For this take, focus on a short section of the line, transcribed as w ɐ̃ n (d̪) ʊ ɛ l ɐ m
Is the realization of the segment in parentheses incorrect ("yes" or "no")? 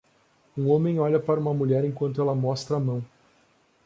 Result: yes